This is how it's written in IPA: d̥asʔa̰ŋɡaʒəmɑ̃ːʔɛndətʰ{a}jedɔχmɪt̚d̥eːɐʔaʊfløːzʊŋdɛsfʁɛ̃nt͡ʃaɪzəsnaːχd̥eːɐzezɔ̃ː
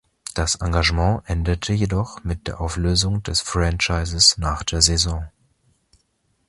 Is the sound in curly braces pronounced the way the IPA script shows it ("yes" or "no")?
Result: no